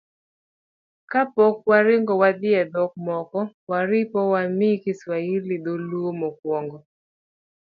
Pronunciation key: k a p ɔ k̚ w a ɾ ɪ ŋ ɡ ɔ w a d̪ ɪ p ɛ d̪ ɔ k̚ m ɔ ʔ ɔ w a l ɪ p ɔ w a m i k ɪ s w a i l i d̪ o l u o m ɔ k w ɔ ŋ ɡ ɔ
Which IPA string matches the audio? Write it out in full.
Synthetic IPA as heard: k a p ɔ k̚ w a ɾ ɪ ŋ ɡ ɔ w a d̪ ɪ ɛ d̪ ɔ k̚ m ɔ k ɔ w a ɾ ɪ p ɔ w a m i k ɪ s w a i l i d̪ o l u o m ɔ k w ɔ ŋ ɡ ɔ